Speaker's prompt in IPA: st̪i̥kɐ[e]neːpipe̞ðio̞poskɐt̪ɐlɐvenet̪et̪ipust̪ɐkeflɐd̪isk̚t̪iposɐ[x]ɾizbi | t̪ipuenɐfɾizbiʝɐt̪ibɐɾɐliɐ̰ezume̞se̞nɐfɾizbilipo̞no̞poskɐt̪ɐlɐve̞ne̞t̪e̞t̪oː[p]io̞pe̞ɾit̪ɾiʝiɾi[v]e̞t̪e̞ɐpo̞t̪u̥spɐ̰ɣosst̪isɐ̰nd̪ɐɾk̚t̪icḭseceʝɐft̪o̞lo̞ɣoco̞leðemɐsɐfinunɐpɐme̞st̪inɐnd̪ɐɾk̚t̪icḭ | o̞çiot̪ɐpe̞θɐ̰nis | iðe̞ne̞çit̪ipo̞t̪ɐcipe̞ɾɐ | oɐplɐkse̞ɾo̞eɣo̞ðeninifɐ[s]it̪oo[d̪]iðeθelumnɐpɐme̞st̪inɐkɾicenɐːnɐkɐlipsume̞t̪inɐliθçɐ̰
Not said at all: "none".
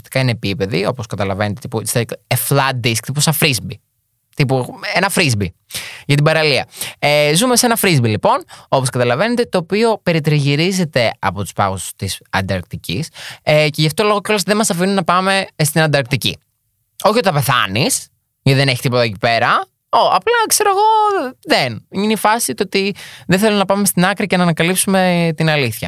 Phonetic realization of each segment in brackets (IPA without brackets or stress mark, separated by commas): i, f, p, z, s, t̪